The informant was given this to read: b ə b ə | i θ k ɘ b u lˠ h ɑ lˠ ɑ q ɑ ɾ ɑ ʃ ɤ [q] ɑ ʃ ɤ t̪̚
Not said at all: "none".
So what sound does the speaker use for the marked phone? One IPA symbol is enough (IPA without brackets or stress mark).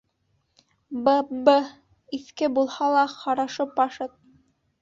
p